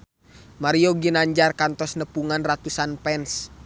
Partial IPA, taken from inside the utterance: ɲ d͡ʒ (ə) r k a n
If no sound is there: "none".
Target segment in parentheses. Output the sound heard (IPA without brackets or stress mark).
a